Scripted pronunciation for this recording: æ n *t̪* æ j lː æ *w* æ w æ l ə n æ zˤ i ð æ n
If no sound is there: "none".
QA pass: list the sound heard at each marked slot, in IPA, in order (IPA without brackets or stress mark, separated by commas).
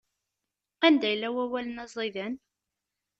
d̪, w